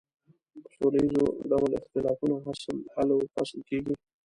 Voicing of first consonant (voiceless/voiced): voiceless